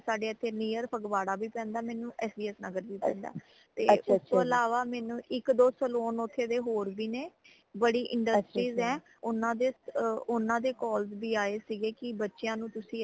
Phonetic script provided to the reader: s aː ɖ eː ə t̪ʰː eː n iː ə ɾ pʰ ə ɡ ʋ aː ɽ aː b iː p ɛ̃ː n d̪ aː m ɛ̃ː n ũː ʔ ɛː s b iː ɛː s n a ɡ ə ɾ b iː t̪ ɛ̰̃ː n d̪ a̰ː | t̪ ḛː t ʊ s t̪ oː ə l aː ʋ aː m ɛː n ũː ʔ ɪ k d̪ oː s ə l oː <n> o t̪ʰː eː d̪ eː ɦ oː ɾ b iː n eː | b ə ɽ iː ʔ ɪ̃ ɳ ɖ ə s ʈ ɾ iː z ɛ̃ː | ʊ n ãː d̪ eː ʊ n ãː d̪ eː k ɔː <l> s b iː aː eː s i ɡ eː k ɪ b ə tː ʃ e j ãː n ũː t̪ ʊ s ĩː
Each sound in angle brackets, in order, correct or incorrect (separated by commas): correct, correct